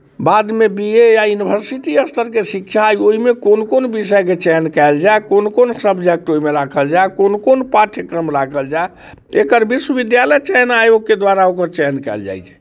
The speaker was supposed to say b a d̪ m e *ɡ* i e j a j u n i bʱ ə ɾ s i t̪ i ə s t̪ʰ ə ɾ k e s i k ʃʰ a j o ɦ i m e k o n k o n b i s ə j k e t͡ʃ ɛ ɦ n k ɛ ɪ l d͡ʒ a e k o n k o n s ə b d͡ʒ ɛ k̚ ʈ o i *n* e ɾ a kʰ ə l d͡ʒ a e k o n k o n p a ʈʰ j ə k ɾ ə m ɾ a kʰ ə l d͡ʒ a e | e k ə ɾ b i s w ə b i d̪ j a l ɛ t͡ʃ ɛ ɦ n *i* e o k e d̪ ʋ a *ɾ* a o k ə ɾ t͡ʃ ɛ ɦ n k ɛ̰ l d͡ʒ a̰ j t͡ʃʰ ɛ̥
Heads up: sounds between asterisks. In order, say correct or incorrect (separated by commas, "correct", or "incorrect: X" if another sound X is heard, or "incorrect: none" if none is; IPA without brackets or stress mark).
incorrect: b, incorrect: m, incorrect: a, correct